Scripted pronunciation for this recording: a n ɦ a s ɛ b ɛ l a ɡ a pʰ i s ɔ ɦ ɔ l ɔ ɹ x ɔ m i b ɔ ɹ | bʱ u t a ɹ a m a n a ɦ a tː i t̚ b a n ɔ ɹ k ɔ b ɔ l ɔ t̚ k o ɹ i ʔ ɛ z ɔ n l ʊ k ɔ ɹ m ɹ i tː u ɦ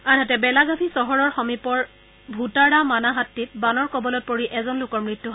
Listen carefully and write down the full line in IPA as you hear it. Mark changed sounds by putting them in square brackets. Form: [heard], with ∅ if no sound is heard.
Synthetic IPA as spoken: a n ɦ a [t] ɛ b ɛ l a ɡ a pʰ i s ɔ ɦ ɔ [ɹ] ɔ ɹ x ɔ m i [p] ɔ ɹ | bʱ u t a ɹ a m a n a ɦ a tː i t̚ b a n ɔ ɹ k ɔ b ɔ l ɔ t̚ [p] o ɹ i ʔ ɛ z ɔ n l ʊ k ɔ ɹ m ɹ i tː u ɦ